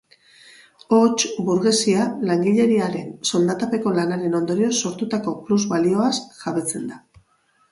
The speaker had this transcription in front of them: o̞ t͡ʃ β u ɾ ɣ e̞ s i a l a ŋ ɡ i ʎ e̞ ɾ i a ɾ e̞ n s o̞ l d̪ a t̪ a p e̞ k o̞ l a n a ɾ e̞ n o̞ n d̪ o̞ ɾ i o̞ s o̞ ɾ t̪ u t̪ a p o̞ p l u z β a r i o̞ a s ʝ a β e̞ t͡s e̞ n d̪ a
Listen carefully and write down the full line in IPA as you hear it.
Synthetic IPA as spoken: o̞ t͡ʃ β u ɾ ɣ e̞ s i a l a ŋ ɡ i ʎ e̞ ɾ i a ɾ e̞ n s o̞ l d̪ a t̪ a p e̞ k o̞ l a n a ɾ e̞ n o̞ n d̪ o̞ ɾ i o̞ s o̞ ɾ t̪ u t̪ a k o̞ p l u z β a l i o̞ a s ʝ a β e̞ t͡s e̞ n d̪ a